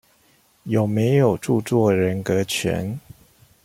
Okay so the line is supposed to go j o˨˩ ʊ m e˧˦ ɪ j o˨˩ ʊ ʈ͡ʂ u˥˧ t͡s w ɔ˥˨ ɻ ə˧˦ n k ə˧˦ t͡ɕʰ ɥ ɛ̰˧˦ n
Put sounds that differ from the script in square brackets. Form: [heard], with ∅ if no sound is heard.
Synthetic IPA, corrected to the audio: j o˨˩ ʊ m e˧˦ ɪ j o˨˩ ʊ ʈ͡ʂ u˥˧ t͡s w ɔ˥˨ ɻ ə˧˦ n k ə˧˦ t͡ɕʰ ɥ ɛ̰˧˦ n